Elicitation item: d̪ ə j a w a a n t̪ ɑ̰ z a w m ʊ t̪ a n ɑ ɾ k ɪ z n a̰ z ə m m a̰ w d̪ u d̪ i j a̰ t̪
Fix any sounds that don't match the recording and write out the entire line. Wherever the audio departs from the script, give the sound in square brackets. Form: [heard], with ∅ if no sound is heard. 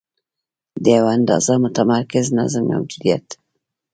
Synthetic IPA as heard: d̪ ə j a w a a n [d̪] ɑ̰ z a [∅] m ʊ t̪ a [m] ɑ ɾ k ɪ z n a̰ z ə m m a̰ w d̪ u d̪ i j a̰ t̪